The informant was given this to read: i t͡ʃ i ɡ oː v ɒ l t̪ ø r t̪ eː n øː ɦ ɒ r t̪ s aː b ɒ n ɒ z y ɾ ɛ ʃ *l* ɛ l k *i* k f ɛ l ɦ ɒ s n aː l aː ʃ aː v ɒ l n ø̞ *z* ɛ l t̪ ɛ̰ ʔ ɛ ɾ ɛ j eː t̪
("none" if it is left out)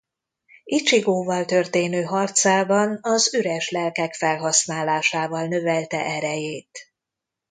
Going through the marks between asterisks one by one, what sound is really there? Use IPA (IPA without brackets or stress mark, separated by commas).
l, ɛ, v